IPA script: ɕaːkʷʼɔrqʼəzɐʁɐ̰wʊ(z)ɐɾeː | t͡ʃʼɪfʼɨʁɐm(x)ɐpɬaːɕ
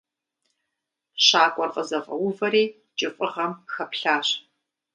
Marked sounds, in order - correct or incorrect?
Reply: incorrect: v, correct

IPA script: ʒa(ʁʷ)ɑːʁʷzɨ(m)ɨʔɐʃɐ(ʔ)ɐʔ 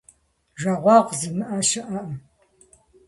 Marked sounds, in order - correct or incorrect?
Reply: correct, correct, correct

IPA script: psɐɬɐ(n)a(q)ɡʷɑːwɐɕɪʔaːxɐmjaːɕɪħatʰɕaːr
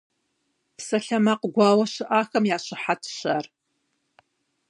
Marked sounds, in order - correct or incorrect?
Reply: incorrect: m, correct

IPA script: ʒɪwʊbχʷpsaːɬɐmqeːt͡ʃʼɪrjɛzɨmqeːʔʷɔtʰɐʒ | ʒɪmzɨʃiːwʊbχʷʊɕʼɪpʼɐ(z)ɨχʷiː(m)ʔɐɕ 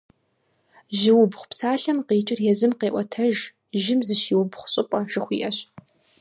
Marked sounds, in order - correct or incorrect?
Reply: incorrect: ʒ, incorrect: none

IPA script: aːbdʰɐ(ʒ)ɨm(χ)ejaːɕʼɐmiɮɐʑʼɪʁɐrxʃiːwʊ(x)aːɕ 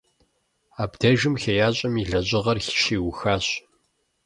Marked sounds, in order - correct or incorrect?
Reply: correct, incorrect: x, correct

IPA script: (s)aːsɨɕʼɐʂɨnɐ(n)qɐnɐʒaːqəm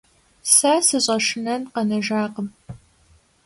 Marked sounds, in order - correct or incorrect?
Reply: correct, correct

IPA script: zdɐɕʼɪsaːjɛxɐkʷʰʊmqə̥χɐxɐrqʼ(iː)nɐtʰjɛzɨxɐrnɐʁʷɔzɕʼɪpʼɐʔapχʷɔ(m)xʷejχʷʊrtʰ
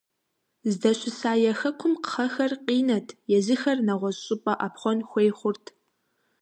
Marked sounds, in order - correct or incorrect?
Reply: correct, incorrect: n

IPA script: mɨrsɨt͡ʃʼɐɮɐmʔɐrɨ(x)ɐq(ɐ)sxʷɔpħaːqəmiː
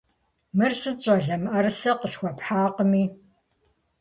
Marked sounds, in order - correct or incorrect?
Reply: incorrect: s, incorrect: ə

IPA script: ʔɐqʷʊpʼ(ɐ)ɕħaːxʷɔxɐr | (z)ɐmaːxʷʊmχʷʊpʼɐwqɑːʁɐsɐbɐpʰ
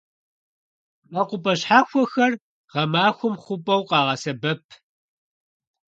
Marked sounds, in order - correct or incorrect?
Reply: correct, incorrect: ʁ

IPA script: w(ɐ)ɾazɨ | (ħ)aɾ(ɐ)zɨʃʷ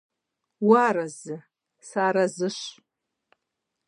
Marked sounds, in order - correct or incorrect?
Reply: incorrect: a, incorrect: s, incorrect: a

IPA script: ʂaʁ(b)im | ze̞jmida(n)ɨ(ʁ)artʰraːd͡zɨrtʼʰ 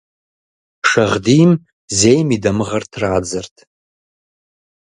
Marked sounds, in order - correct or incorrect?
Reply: incorrect: d, incorrect: m, correct

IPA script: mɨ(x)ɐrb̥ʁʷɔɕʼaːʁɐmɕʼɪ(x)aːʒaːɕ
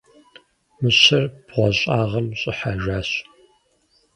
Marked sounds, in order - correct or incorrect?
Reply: incorrect: ɕ, incorrect: ħ

